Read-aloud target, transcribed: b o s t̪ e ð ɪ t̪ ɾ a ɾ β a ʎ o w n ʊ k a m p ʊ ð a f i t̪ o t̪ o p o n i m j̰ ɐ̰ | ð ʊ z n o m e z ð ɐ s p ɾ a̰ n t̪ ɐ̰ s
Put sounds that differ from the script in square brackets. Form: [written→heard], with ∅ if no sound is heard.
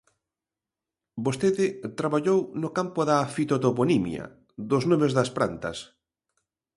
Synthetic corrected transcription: b o s t̪ e ð ɪ t̪ ɾ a [ɾ→∅] β a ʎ o w n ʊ k a m p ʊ ð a f i t̪ o t̪ o p o n i m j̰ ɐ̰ | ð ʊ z n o m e z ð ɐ s p ɾ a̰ n t̪ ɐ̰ s